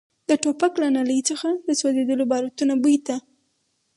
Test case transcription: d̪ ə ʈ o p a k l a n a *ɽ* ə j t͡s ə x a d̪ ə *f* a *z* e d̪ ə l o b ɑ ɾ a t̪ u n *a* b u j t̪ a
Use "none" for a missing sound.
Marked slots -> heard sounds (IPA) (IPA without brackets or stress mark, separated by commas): l, s, z, a